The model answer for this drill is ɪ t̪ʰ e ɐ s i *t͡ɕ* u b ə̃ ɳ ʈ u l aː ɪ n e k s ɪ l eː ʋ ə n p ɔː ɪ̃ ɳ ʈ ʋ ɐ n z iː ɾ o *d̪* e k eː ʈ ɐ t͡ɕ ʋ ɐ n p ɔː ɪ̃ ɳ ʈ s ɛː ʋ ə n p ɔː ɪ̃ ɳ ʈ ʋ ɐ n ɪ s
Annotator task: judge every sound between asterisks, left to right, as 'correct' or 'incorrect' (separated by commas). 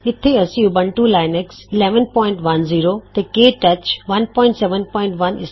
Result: incorrect, incorrect